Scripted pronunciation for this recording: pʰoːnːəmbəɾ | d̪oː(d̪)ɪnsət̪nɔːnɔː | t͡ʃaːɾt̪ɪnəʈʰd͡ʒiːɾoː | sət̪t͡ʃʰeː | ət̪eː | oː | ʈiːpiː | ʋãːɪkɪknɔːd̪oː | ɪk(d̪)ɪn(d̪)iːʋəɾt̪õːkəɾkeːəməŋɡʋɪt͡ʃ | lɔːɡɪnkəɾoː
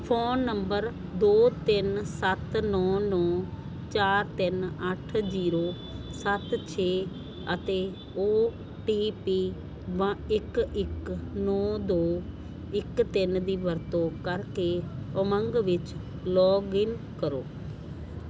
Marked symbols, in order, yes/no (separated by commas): no, no, yes